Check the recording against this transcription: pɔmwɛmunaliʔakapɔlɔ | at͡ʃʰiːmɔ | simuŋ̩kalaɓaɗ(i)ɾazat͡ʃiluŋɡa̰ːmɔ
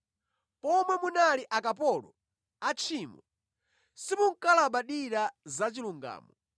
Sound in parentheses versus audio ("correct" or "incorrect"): correct